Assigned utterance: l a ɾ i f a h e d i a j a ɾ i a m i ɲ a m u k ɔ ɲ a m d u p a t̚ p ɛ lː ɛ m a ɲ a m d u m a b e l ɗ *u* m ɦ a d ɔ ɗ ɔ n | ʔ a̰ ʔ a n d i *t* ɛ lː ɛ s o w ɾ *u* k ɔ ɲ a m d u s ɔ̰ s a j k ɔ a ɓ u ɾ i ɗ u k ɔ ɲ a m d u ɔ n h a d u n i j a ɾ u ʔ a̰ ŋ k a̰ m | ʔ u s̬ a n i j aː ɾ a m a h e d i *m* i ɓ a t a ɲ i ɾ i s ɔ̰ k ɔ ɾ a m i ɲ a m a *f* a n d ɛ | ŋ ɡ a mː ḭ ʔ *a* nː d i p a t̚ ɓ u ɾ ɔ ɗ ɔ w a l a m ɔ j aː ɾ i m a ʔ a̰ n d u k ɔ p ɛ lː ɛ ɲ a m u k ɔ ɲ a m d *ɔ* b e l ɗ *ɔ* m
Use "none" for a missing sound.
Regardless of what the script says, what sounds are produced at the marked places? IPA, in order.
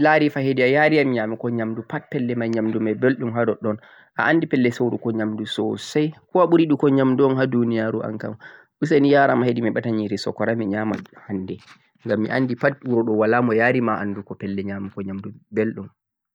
u, p, u, m, h, a, u, u

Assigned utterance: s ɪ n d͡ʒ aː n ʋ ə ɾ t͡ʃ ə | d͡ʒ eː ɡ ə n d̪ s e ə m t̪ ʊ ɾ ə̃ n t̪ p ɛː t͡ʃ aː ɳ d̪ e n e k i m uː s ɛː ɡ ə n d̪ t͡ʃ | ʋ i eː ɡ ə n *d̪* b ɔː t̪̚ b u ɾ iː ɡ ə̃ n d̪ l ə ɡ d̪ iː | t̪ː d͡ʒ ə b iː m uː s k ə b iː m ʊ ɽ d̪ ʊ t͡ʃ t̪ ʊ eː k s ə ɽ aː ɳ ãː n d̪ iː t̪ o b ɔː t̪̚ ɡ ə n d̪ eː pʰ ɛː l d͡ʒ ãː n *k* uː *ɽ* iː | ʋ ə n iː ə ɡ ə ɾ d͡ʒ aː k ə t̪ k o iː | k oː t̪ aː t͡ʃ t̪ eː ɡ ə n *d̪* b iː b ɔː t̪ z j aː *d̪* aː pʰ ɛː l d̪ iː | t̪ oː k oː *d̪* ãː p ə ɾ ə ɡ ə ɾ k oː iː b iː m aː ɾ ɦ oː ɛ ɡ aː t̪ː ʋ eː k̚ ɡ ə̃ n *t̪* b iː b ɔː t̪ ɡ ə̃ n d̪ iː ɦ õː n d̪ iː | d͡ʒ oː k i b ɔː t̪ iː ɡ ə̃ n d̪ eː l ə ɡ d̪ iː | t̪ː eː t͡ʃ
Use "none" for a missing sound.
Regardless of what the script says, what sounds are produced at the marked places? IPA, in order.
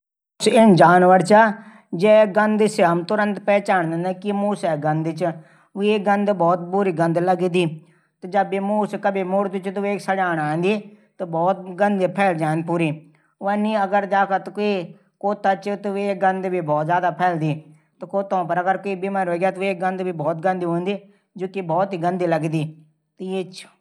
d̪, p, ɾ, d̪, d̪, t̪, d̪

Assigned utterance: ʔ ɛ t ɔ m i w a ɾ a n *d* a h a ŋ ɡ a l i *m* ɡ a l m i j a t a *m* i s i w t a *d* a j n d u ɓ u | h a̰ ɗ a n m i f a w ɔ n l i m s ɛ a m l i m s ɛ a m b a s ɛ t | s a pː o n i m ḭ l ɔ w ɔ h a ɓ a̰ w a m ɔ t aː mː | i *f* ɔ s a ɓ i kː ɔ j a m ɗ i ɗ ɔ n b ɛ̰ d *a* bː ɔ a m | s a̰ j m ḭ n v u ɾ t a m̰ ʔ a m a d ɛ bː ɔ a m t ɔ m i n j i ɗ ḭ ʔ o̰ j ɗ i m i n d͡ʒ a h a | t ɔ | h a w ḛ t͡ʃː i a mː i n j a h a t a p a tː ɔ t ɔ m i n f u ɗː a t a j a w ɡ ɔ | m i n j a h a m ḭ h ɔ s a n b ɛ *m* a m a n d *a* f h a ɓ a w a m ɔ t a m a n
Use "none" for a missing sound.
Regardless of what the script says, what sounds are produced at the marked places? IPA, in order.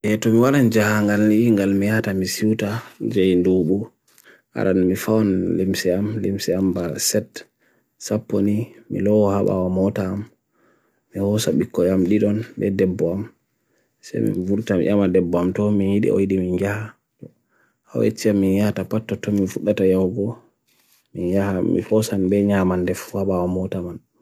d͡ʒ, ŋ, m, d͡ʒ, h, ɛ, ɲ, ɛ

